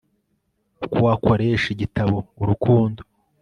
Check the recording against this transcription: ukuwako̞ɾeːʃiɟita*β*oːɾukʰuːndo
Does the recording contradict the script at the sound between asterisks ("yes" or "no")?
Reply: no